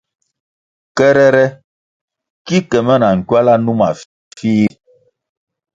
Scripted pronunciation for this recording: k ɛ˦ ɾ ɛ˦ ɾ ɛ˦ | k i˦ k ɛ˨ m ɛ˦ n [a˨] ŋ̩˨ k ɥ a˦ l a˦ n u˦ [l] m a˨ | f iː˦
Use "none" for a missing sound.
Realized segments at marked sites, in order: a˨, none

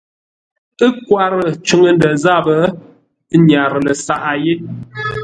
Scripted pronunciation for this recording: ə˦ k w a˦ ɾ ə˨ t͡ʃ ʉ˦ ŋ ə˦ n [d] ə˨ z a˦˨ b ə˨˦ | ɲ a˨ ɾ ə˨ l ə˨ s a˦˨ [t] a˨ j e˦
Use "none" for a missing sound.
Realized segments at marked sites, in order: d, ʔ

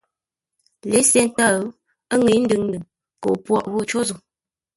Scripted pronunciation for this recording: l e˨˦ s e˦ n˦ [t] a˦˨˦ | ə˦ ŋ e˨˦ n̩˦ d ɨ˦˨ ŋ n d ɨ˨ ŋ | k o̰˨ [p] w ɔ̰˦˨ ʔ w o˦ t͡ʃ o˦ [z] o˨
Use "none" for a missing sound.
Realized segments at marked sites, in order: t, p, z

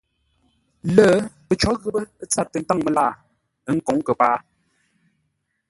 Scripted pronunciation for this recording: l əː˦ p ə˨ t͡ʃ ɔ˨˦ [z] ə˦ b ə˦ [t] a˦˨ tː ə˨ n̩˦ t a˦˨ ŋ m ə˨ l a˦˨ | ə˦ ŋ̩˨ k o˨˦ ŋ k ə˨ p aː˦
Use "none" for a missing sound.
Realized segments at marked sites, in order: ɣ, t͡s

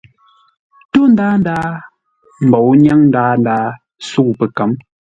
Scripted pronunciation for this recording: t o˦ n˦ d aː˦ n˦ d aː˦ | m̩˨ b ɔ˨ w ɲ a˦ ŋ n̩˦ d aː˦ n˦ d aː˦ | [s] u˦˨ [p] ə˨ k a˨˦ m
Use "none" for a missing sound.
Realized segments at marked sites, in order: s, p

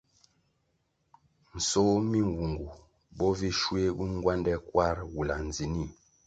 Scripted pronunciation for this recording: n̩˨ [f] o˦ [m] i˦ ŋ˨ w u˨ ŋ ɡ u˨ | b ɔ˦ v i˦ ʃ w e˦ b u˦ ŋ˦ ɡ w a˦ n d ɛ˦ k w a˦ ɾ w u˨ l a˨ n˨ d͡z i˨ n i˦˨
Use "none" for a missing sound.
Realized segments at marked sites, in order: s, m

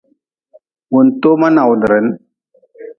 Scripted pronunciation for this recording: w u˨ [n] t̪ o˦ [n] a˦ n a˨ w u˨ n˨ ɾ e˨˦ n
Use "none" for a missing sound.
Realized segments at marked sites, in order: n, m

